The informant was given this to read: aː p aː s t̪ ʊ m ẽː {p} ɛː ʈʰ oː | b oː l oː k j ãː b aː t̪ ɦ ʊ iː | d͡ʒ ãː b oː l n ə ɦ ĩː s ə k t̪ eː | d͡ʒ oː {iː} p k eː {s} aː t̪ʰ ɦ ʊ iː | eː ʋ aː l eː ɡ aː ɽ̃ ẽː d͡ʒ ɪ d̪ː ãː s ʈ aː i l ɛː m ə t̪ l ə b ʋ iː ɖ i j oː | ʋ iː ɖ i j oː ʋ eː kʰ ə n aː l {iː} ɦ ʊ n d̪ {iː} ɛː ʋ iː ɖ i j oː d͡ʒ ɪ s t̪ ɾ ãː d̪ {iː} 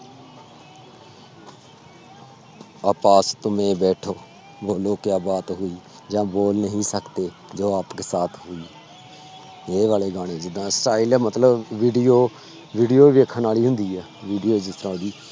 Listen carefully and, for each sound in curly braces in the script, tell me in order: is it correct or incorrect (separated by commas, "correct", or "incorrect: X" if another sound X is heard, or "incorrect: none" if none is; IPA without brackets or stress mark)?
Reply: incorrect: b, incorrect: aː, correct, correct, correct, correct